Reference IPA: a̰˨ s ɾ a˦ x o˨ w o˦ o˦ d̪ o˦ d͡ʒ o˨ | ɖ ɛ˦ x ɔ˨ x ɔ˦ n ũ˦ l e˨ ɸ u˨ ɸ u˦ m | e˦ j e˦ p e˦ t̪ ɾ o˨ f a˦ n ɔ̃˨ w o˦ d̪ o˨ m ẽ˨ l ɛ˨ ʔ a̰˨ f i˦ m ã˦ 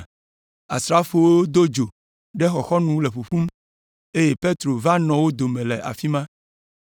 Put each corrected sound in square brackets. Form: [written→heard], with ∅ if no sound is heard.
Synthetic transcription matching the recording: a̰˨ s ɾ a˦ [x→f] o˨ w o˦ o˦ d̪ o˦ d͡ʒ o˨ | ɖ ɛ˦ x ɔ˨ x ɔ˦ n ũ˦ l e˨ ɸ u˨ ɸ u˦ m | e˦ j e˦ p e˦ t̪ ɾ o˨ [f→v] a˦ n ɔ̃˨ w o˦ d̪ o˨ m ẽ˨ l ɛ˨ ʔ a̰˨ f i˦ m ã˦